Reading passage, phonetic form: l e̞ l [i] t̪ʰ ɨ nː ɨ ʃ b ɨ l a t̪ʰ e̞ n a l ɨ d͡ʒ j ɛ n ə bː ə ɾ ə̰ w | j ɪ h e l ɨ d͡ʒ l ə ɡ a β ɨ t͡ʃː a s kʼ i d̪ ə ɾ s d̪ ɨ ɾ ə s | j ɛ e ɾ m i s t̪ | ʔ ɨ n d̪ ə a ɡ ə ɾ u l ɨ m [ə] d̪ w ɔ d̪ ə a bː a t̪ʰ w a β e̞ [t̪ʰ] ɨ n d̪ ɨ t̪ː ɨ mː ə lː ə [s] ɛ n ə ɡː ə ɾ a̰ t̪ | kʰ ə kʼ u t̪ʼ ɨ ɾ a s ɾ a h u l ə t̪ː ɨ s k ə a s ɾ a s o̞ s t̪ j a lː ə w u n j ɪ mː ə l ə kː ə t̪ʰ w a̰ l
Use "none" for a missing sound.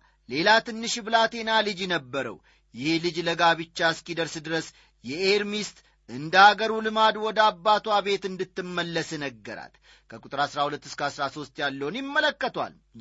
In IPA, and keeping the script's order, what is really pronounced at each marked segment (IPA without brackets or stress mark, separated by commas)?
a, a, t̪, s